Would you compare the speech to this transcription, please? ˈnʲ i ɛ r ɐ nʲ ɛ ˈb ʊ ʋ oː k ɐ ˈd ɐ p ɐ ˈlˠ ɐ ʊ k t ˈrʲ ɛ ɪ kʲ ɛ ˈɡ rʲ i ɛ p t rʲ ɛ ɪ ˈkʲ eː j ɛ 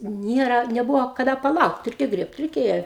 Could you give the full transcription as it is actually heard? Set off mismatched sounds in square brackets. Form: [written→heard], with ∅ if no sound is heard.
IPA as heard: ˈnʲ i ɛ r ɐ nʲ ɛ ˈb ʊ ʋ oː k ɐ ˈd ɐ p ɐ ˈlˠ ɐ ʊ k t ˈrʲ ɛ ɪ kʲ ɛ ˈɡ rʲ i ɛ p t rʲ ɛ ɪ ˈkʲ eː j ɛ